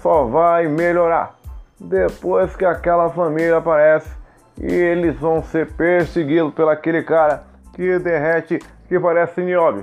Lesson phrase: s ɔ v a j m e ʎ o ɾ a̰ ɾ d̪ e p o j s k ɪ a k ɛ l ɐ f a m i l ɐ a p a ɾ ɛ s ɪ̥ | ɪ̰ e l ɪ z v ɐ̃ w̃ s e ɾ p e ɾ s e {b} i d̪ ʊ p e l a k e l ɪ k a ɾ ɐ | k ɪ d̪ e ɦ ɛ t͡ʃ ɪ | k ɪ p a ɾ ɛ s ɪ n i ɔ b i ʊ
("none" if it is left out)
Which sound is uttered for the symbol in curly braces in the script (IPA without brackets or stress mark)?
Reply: ɡ